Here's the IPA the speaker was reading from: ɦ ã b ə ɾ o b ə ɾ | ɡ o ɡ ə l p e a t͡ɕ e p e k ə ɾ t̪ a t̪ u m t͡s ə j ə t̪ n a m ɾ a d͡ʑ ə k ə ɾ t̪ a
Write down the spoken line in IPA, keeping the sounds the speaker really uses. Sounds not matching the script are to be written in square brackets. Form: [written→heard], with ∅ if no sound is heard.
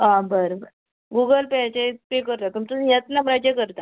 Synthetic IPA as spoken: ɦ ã b ə ɾ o b ə ɾ | ɡ [o→u] ɡ ə l p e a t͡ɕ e p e k ə ɾ t̪ a t̪ u m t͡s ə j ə t̪ n a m ɾ a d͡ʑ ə k ə ɾ t̪ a